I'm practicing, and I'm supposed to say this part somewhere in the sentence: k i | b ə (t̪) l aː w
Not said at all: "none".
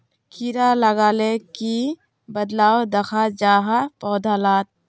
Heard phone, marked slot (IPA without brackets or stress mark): d̪